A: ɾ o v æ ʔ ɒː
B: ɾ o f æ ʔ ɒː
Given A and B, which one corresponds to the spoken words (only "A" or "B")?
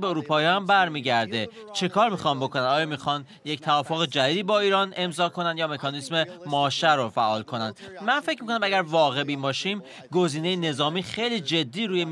B